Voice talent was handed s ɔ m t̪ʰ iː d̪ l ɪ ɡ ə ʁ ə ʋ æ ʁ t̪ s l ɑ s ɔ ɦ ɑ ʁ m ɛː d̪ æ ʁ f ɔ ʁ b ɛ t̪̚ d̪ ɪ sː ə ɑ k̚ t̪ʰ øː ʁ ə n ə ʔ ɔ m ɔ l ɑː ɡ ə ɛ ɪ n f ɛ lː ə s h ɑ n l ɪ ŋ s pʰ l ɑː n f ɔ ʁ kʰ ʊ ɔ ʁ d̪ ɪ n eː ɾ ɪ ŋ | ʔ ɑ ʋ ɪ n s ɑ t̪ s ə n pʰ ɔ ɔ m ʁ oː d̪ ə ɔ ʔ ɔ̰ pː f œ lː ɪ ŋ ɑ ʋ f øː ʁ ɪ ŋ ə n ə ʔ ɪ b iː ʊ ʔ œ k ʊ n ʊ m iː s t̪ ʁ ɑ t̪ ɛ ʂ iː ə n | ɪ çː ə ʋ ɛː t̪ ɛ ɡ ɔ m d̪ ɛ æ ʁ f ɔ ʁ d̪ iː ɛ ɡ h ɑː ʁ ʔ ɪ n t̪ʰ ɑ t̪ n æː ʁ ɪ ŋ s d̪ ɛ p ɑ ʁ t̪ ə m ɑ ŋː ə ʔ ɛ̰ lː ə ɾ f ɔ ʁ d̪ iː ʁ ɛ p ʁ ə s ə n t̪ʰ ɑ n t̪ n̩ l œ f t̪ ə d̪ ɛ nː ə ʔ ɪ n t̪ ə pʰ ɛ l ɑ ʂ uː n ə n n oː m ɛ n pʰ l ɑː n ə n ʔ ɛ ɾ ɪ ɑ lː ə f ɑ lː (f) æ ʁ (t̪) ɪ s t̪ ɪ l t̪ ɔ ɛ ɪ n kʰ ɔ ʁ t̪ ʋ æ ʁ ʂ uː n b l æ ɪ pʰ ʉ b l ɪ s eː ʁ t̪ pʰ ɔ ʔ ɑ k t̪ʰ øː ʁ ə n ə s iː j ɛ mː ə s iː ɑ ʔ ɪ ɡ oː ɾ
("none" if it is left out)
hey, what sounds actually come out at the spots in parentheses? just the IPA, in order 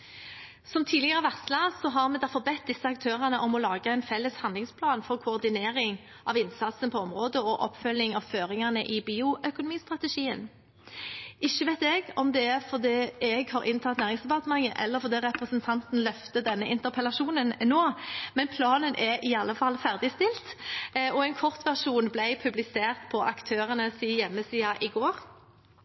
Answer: f, d̪

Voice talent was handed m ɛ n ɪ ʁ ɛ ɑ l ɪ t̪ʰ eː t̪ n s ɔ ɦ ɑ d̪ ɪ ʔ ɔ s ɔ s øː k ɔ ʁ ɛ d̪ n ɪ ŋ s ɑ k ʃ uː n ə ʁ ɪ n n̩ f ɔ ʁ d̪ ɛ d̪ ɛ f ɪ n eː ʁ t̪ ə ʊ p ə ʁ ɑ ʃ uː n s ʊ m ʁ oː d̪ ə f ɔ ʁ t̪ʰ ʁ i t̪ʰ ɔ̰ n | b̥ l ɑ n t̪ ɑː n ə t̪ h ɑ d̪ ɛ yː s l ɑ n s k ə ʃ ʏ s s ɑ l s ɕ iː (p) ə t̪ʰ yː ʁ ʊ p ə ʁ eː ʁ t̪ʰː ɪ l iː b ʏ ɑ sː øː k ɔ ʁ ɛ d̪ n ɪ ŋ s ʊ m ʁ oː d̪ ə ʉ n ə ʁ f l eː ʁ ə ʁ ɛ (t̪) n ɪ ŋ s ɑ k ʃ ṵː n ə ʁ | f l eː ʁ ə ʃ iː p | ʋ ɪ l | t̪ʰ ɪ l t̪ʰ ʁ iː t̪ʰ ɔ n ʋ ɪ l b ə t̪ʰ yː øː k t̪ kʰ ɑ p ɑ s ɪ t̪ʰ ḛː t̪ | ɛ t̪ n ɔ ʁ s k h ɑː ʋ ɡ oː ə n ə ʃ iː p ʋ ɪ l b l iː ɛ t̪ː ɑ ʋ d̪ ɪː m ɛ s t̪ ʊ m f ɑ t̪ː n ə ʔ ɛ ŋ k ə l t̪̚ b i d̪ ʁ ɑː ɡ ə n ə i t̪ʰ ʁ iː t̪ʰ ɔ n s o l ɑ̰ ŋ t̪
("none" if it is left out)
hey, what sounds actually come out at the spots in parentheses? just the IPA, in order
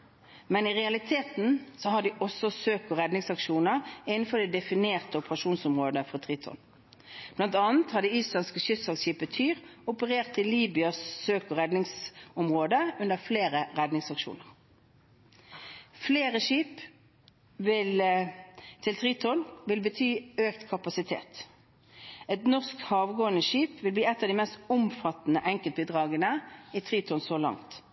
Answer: p, d̪

